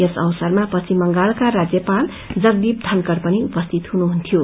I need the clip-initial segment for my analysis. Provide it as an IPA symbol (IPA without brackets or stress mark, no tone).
e